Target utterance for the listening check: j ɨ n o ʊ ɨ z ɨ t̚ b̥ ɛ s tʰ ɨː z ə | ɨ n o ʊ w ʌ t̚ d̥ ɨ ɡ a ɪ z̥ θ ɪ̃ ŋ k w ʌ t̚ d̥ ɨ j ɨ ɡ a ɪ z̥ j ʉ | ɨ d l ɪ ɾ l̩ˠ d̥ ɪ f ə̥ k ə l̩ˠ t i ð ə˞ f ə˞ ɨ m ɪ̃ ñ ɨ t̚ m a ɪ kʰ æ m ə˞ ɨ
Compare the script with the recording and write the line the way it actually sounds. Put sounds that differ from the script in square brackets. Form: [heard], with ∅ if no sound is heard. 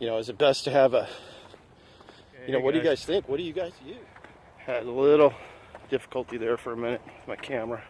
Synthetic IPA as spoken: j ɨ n o ʊ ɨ z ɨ t̚ b̥ ɛ s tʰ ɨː [v] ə | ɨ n o ʊ w ʌ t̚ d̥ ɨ ɡ a ɪ z̥ θ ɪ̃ ŋ k w ʌ t̚ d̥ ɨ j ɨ ɡ a ɪ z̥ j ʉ | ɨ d l ɪ ɾ l̩ˠ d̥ ɪ f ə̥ k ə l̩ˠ t i ð ə˞ f ə˞ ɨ m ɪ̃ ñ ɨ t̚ m a ɪ kʰ æ m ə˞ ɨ

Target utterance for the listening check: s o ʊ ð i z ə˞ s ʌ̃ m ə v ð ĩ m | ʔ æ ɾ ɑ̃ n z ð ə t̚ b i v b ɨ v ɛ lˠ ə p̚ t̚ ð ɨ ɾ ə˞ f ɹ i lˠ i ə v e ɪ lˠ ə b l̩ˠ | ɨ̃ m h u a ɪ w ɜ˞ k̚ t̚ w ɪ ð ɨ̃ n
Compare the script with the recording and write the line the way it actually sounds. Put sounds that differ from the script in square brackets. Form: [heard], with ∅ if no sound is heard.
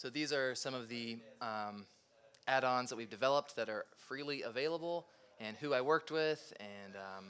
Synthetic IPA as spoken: s o ʊ ð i z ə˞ s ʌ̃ m [ʌ] v ð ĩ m | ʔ æ ɾ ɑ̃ n z ð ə t̚ [w] i v [d] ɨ v ɛ lˠ ə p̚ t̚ ð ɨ ɾ ə˞ f ɹ i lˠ i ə v e ɪ lˠ ə b l̩ˠ | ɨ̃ [n] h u a ɪ w ɜ˞ k̚ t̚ w ɪ ð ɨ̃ n

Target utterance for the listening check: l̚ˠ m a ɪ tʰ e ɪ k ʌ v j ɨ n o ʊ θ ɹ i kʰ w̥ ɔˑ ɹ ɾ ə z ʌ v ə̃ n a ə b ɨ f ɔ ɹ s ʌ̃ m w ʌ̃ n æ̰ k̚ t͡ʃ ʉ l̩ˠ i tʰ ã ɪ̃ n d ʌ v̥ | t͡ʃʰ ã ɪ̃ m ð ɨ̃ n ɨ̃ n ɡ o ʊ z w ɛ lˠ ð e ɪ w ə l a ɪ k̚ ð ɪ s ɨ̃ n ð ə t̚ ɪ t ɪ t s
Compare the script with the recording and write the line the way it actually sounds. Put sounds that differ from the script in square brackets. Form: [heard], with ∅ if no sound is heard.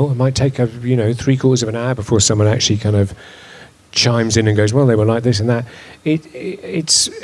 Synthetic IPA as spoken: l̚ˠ m a ɪ tʰ e ɪ k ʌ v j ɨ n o ʊ θ ɹ i kʰ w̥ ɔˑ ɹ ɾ ə z ʌ v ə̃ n a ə b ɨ f ɔ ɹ s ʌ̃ m w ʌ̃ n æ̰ k̚ t͡ʃ ʉ l̩ˠ i [kʰ] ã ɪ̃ n d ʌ v̥ | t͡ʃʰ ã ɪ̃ m [z] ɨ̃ n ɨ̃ n ɡ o ʊ z w ɛ lˠ ð e ɪ w ə l a ɪ k̚ ð ɪ s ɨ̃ n ð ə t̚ ɪ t ɪ t s

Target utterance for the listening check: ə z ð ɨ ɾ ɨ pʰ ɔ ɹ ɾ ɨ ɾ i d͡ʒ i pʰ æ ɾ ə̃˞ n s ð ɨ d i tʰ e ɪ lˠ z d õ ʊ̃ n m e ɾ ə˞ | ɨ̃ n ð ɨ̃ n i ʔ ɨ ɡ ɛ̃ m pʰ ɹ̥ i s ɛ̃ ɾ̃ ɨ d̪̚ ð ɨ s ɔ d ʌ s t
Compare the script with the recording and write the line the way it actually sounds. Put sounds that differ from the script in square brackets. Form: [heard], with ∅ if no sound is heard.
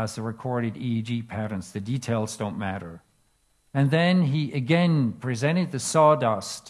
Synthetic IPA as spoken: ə z ð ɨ [ɹ] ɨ [kʰ] ɔ ɹ ɾ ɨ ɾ i d͡ʒ i pʰ æ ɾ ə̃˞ n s ð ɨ d i tʰ e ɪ lˠ z d õ ʊ̃ n m [æ] ɾ ə˞ | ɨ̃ n ð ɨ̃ n i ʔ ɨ ɡ ɛ̃ [n] pʰ ɹ̥ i [z] ɛ̃ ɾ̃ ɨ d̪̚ ð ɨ s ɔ d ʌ s t

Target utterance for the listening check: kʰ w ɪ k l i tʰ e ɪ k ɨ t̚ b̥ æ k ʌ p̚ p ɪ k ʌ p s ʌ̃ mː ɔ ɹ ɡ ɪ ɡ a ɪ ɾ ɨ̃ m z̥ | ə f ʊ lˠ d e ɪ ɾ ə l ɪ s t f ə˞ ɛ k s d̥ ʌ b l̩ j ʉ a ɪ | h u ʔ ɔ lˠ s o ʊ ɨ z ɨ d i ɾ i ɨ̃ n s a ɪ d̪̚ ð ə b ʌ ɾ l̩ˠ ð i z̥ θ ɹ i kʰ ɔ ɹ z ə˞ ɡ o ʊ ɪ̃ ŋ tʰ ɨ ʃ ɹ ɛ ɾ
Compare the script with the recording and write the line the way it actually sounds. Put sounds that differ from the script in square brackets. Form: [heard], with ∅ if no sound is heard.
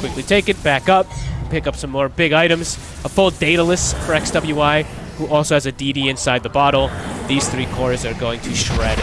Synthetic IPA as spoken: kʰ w ɪ k l i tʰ e ɪ k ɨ t̚ b̥ æ k ʌ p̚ p ɪ k ʌ p s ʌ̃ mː ɔ ɹ [b] ɪ ɡ a ɪ ɾ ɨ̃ m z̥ | ə f ʊ lˠ d e ɪ ɾ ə l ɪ s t f ə˞ ɛ k s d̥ ʌ b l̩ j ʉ a ɪ | h u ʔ ɔ lˠ s o ʊ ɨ z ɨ d i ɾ i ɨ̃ n s a ɪ d̪̚ ð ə b [ɑ] ɾ l̩ˠ ð i z̥ θ ɹ i kʰ ɔ ɹ z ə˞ ɡ o ʊ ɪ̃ ŋ tʰ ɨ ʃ ɹ ɛ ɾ

